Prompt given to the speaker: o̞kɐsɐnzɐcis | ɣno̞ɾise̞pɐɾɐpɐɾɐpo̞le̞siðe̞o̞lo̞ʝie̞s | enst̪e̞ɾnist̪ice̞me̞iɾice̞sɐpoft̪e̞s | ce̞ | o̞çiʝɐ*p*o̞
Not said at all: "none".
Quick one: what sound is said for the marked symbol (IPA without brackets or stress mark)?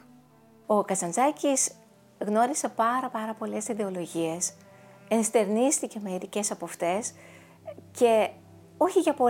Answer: p